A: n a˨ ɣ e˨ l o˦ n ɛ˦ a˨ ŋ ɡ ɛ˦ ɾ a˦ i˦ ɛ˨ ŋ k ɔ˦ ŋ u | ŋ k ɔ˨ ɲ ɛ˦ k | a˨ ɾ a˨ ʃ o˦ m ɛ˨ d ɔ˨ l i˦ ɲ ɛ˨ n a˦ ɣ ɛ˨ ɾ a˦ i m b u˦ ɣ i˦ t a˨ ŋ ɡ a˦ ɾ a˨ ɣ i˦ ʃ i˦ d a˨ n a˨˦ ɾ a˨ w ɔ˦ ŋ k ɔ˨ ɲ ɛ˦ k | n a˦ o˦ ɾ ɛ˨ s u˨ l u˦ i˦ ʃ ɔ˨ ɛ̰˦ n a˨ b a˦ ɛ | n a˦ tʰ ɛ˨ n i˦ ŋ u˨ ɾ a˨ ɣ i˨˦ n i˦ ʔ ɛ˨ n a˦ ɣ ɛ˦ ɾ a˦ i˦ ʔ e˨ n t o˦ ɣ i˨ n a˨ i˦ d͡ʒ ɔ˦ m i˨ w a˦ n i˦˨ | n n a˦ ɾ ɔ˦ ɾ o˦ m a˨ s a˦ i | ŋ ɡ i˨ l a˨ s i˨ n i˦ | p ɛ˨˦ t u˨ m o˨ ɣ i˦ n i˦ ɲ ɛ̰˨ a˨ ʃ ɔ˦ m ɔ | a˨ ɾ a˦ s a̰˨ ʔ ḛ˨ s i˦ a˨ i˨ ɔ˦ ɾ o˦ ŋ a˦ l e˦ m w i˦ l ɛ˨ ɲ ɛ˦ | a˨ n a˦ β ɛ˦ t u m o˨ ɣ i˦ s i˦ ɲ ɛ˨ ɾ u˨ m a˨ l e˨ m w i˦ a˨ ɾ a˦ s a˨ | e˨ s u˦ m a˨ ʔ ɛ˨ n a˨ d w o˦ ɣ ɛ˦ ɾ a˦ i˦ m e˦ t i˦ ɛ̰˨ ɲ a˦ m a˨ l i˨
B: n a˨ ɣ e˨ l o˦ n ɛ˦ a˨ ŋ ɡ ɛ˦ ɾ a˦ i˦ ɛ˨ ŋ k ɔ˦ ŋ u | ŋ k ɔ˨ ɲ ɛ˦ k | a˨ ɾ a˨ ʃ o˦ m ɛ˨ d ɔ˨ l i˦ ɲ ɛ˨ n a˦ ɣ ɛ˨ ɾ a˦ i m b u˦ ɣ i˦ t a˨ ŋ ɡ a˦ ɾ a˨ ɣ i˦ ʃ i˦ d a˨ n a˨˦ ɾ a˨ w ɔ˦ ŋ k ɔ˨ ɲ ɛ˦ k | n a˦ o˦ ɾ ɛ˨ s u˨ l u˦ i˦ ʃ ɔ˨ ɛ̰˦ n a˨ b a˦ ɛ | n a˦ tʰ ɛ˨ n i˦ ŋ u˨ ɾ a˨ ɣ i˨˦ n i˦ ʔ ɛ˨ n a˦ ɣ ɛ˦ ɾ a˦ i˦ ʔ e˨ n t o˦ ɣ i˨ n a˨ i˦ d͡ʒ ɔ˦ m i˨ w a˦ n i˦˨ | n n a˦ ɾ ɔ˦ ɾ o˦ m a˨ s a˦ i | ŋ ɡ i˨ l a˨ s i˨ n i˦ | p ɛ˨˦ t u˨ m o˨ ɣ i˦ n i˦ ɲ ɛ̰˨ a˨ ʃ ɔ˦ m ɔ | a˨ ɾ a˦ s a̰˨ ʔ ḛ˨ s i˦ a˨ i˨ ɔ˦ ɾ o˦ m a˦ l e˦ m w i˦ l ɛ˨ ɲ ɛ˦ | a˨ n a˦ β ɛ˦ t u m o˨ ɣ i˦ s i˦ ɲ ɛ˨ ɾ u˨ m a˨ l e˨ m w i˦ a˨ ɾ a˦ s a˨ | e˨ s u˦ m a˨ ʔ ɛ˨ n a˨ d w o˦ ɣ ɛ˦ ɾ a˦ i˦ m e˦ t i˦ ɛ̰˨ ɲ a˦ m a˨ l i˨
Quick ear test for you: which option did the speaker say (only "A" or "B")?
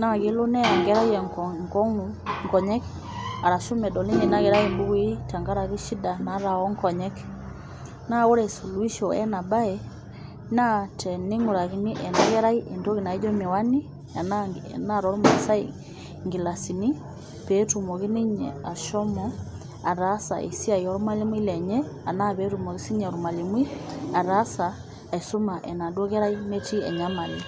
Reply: B